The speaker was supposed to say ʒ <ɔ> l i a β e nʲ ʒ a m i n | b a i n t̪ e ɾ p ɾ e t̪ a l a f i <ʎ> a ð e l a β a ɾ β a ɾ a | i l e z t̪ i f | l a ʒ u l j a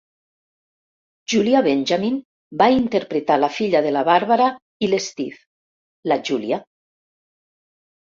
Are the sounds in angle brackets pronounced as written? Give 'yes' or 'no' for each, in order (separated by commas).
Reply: no, yes